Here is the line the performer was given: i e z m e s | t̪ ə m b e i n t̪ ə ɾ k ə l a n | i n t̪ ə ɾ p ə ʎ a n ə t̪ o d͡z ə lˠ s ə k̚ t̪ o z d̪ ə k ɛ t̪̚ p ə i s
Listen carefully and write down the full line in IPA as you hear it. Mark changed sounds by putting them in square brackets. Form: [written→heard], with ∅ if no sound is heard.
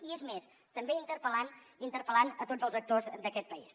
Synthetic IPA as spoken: i e z m e s | t̪ ə m b e i n t̪ ə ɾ [k→p] ə l a n | i n t̪ ə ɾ p ə [ʎ→l] a n ə t̪ o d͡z ə lˠ [s→z] ə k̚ t̪ o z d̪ ə k ɛ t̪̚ p ə i s